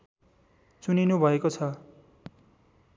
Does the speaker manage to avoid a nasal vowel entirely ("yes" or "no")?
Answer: yes